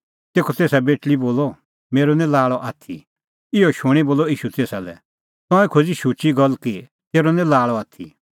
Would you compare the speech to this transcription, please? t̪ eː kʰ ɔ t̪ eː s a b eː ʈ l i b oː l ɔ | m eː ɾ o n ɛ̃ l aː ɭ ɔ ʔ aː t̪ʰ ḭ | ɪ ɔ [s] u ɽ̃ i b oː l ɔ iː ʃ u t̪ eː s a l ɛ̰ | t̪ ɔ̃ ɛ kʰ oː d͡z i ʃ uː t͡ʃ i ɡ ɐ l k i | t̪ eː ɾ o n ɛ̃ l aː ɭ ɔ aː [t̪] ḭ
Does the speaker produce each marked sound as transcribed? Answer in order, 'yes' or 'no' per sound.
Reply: no, no

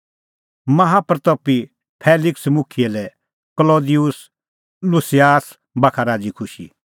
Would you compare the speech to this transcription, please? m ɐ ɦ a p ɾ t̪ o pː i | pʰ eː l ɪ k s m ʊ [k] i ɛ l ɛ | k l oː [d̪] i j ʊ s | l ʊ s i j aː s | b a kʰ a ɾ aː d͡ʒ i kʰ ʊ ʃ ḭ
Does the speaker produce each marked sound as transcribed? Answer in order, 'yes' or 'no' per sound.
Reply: no, yes

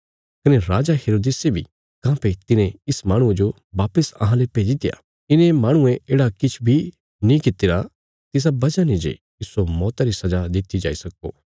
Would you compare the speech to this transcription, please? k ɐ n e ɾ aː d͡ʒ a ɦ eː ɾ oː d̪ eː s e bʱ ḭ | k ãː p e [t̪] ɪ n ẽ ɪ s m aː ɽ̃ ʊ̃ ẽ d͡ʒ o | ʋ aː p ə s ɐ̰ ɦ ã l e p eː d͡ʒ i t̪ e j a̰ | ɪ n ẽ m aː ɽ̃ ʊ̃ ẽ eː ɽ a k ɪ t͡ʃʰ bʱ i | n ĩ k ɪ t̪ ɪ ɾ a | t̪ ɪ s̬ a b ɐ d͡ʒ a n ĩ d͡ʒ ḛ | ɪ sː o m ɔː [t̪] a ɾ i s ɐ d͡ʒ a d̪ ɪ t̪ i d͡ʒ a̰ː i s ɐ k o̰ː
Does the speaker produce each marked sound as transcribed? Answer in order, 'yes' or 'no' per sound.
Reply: yes, yes

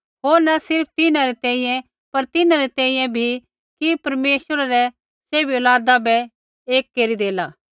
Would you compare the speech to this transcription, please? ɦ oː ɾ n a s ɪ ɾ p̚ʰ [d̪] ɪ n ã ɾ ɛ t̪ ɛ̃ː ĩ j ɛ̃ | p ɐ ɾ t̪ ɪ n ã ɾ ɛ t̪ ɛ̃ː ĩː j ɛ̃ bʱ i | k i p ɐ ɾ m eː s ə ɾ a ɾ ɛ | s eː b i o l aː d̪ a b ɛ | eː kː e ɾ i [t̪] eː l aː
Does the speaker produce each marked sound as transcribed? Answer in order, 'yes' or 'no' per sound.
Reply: no, no

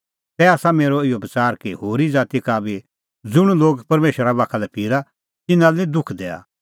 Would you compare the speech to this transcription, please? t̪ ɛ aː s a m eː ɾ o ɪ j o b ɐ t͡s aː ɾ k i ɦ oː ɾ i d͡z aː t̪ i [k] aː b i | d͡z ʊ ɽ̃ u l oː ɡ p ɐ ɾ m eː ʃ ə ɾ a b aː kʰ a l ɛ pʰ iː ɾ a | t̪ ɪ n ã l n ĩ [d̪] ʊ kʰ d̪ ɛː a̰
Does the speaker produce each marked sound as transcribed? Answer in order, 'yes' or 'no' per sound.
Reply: yes, yes

